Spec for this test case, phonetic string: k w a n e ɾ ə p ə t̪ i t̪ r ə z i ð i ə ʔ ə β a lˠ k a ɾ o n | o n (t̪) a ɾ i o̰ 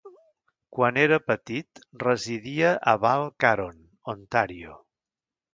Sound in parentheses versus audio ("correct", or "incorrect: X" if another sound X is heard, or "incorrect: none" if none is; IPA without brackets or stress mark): correct